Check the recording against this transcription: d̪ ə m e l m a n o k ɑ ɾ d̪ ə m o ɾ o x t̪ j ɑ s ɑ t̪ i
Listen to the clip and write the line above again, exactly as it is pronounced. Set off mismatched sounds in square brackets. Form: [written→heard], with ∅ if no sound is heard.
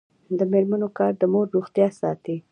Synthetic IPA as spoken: d̪ ə m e [l→ɾ] m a n o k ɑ ɾ d̪ ə m o [ɾ→ɾː] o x t̪ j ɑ s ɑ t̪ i